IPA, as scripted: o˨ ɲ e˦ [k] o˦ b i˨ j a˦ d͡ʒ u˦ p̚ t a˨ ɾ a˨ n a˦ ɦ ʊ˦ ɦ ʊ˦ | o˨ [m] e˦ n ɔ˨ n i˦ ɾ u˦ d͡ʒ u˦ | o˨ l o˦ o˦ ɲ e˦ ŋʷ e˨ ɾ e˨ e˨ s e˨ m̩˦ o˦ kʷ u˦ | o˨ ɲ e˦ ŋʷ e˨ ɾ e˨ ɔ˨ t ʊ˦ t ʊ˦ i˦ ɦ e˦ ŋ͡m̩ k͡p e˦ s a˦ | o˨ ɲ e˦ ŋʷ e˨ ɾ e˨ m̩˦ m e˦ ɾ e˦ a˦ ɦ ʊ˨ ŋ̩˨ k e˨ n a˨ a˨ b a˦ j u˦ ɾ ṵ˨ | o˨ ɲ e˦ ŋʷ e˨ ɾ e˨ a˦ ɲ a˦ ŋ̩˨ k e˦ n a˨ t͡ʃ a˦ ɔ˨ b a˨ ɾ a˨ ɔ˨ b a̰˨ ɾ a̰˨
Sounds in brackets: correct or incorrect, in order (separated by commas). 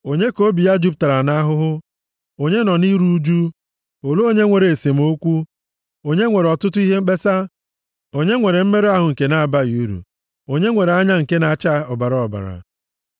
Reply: correct, incorrect